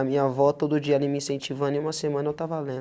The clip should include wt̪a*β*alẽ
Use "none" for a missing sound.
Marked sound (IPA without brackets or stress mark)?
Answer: v